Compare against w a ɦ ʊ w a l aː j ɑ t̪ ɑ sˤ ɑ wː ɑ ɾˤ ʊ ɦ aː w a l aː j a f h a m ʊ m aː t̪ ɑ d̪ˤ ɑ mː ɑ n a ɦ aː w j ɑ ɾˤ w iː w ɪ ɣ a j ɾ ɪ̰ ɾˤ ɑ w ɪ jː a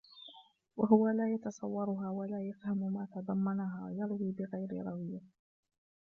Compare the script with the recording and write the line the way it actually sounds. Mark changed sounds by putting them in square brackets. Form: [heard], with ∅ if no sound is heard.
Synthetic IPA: w a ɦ ʊ w a l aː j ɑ t̪ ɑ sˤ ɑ wː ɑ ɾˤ ʊ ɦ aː w a l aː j a f h a m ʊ m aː t̪ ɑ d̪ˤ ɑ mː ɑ n a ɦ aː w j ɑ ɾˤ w iː [b] ɪ ɣ a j ɾ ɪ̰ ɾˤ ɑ w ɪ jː a

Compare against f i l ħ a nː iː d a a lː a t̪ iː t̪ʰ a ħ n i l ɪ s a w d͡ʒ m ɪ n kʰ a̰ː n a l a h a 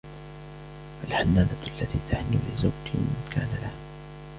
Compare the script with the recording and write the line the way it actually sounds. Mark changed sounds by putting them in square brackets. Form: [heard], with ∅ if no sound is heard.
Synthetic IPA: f [a] l ħ a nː [aː] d a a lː a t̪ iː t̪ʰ a ħ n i l ɪ [z] a w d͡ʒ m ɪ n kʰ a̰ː n a l a h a

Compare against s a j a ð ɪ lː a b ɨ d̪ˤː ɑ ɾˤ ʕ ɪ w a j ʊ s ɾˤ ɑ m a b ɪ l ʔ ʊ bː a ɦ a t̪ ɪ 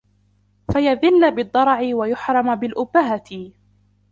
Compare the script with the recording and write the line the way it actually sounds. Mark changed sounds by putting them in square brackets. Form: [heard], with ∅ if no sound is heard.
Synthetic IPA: [f] a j a ð ɪ lː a b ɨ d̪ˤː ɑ ɾˤ ʕ ɪ w a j ʊ [ħ] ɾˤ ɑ m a b ɪ l ʔ ʊ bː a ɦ a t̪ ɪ

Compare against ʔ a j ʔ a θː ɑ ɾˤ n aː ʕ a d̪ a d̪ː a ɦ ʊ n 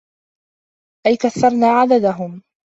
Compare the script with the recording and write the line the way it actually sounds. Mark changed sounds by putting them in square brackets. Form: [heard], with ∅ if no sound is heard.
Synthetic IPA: ʔ a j [k] a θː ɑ ɾˤ n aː ʕ a d̪ a [d̪] a ɦ ʊ [m]

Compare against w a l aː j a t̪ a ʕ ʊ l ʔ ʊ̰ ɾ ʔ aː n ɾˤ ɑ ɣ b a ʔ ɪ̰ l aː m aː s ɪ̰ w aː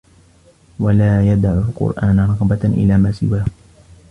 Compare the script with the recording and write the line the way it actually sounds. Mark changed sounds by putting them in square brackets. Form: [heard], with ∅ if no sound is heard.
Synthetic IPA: w a l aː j a [d̪] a ʕ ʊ l [q] ʊ̰ ɾ ʔ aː n ɾˤ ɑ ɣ b a ʔ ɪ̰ l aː m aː s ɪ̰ w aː

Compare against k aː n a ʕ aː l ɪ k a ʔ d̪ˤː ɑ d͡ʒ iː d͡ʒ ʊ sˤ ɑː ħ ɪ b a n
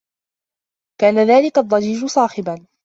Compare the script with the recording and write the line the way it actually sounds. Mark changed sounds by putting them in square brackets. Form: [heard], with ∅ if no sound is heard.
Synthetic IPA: k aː n a [ð] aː l ɪ k a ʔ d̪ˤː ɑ d͡ʒ iː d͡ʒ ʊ sˤ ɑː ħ ɪ b a n

